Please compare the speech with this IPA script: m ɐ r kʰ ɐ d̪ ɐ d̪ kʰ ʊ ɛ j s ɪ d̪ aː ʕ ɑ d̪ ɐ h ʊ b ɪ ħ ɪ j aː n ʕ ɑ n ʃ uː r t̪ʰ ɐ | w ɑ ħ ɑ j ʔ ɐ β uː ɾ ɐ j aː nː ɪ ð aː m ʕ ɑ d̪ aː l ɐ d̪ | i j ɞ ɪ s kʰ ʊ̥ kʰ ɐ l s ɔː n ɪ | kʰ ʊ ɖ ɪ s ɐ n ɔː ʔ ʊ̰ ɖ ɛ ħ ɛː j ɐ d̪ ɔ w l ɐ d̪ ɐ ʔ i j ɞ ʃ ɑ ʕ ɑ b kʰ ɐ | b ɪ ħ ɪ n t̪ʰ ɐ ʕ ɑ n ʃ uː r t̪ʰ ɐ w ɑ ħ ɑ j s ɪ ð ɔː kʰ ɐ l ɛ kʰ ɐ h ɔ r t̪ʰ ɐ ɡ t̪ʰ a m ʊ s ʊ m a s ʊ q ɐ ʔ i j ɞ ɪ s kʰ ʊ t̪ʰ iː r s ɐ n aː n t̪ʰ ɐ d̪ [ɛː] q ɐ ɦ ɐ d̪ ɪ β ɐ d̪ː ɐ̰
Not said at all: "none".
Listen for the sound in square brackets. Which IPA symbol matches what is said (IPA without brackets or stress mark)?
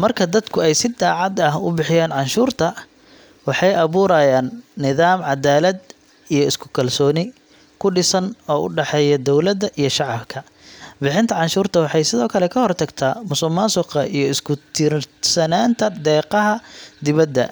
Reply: ɛː